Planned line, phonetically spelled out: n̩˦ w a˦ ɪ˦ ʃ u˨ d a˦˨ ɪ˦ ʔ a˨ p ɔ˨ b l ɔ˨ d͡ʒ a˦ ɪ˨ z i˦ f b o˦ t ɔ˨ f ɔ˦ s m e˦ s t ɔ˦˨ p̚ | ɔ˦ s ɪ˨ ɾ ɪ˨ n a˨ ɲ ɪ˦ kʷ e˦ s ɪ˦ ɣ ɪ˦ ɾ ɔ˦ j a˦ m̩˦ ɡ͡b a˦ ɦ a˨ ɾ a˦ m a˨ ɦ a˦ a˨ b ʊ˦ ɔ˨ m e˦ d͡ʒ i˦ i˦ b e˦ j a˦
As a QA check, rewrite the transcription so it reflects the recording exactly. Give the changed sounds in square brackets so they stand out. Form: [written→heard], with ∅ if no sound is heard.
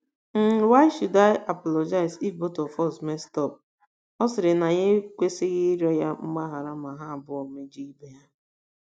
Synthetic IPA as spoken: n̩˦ w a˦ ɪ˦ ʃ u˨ d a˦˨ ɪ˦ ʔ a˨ p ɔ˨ [b→∅] l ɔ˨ d͡ʒ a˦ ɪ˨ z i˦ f b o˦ t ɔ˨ f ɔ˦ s m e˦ s t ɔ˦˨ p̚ | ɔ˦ s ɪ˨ ɾ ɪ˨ n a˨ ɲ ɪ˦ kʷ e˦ s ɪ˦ ɣ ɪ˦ ɾ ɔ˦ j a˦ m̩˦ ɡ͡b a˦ ɦ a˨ ɾ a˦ m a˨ ɦ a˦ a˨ b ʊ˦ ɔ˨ m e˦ d͡ʒ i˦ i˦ b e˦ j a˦